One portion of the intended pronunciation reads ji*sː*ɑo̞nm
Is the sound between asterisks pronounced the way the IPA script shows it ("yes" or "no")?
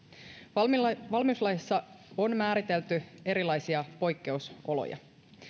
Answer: yes